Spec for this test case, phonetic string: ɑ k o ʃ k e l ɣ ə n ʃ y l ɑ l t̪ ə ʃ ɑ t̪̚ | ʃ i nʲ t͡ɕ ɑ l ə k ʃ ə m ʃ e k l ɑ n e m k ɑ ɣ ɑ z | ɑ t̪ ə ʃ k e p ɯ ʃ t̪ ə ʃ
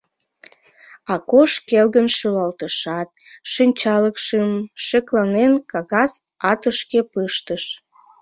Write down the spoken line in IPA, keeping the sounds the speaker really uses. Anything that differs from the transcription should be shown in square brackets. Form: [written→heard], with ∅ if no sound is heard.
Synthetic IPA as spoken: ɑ k o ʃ k e l ɣ ə n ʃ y l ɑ l t̪ ə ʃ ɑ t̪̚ | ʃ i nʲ t͡ɕ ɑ l ə k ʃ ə m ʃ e k l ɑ n e [m→n] k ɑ ɣ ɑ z | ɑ t̪ ə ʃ k e p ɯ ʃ t̪ ə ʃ